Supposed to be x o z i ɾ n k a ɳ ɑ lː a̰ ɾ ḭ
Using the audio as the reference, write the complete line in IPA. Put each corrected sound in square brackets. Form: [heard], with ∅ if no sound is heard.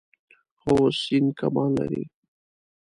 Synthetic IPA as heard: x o [s] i [∅] n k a [m] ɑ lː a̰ ɾ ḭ

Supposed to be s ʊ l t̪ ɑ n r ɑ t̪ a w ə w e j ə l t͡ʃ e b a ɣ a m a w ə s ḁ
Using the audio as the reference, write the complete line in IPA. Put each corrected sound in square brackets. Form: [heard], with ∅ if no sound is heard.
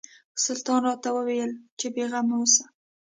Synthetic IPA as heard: s ʊ l t̪ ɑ n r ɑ t̪ a w ə w e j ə l t͡ʃ e b [e] ɣ a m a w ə s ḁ

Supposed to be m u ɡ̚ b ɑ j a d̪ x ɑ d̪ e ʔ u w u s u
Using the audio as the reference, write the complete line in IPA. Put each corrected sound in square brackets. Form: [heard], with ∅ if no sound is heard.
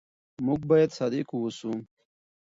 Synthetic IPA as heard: m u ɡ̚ b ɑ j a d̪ [s] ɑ d̪ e [k] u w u s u

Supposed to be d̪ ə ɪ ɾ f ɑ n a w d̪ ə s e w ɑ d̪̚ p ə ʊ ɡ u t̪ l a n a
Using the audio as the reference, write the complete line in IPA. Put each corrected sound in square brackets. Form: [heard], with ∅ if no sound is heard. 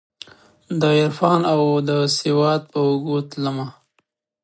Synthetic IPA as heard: d̪ ə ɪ ɾ f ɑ n a w d̪ ə s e w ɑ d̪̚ p ə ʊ ɡ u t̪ l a [m] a

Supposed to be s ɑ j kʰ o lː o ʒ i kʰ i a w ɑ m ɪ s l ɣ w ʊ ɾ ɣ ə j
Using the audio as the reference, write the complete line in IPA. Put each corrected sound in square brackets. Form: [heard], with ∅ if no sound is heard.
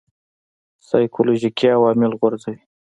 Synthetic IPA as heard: s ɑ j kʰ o [l] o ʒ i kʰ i a w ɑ m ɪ [∅] l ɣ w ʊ ɾ [z] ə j

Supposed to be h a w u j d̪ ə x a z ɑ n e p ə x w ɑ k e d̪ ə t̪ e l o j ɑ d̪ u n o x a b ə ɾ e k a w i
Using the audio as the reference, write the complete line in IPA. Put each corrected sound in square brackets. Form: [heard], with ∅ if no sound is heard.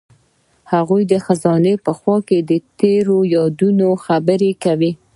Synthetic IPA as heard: h a [ɣ] u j d̪ ə x a z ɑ n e p ə x w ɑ k e d̪ ə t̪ e [ɾ] o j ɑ d̪ u n o x a b ə ɾ e k a w i

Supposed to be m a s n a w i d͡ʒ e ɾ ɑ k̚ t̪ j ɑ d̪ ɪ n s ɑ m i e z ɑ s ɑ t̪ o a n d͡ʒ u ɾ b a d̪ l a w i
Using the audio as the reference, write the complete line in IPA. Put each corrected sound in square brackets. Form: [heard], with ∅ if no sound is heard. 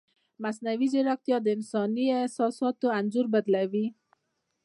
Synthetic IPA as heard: m a s n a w i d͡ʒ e ɾ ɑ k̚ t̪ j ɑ d̪ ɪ n s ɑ [n] i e [s] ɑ s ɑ t̪ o a n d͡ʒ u ɾ b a d̪ l a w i

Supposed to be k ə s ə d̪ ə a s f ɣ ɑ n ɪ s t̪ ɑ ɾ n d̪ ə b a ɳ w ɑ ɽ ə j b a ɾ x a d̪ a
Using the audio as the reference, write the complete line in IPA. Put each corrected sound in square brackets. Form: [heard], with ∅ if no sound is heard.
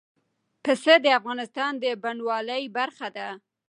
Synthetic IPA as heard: [p] ə s ə d̪ ə a [∅] f ɣ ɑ n ɪ s t̪ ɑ [∅] n d̪ ə b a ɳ w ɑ [l] ə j b a ɾ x a d̪ a

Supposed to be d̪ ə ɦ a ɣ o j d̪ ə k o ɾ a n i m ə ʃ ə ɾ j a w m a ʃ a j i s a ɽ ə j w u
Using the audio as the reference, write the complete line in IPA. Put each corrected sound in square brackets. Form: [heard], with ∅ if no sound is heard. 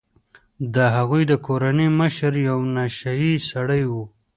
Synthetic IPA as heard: d̪ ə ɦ a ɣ [u] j d̪ ə k o ɾ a n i m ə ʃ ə ɾ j a w [n] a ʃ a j i s a ɽ ə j w u

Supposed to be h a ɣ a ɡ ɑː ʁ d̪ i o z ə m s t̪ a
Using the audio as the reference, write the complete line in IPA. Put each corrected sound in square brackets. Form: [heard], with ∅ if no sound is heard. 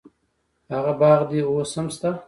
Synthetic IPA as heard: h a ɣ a [b] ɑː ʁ d̪ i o [s] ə m s t̪ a

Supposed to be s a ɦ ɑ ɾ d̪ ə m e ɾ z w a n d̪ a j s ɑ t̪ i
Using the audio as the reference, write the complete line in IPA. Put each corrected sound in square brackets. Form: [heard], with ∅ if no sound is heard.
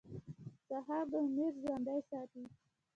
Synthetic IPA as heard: s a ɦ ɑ ɾ d̪ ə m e ɾ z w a n d̪ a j s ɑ t̪ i

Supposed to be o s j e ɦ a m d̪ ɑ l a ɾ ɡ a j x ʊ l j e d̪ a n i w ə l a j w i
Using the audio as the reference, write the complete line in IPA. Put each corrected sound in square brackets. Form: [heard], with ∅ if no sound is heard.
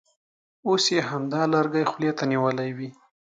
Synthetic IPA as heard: o s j e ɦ a m d̪ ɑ l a ɾ ɡ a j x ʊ l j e [t̪] a n i w ə l a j w i

